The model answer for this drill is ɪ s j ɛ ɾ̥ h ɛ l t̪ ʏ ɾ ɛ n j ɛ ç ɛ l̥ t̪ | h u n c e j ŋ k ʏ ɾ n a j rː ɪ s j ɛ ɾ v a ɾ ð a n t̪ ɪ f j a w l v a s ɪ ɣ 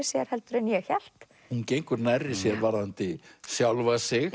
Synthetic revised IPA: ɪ s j ɛ ɾ̥ h ɛ l t̪ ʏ ɾ ɛ n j ɛ ç ɛ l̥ t̪ | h u n c e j ŋ k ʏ ɾ n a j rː ɪ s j ɛ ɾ v a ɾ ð a n t̪ ɪ s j a w l v a s ɪ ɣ